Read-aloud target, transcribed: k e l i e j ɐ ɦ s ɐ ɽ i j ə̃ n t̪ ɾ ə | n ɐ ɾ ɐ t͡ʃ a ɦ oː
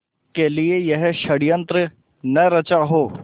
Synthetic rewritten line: k e l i e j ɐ ɦ ʃ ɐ ɽ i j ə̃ n t̪ ɾ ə | n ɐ ɾ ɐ t͡ʃ a ɦ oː